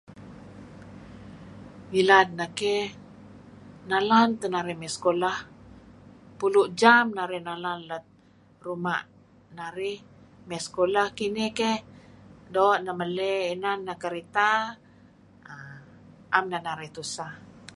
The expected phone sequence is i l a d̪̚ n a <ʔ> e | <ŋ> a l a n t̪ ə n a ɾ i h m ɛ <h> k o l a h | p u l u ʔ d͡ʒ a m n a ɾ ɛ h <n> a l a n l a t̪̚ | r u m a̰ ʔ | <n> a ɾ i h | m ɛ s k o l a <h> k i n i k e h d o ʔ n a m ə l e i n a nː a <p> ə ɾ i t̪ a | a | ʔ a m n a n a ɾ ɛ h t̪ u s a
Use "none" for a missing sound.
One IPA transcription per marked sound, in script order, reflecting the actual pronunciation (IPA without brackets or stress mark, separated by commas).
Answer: k, n, s, n, n, h, k